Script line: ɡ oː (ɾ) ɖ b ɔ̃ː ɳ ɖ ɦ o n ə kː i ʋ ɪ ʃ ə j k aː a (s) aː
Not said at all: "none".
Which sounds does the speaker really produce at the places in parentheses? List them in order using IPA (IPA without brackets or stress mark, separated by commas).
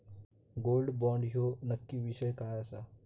l, s